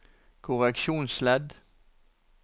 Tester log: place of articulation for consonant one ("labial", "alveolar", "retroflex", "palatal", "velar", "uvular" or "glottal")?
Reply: velar